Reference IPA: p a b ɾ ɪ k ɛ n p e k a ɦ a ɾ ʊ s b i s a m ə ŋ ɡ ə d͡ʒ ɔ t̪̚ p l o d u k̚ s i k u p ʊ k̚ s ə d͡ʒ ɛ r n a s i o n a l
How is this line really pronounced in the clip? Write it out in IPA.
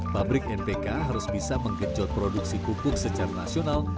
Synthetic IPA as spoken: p a b ɾ ɪ k ɛ n p e k a ɦ a ɾ ʊ s b i s a m ə ŋ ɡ ə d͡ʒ ɔ t̪̚ p ɾ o d u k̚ s i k u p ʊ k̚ s ə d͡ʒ a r n a s i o n a l